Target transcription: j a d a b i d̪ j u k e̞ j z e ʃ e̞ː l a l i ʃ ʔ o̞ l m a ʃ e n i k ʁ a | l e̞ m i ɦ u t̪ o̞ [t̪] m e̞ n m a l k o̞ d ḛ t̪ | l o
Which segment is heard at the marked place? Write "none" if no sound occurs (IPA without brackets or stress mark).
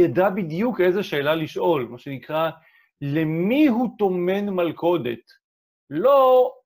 none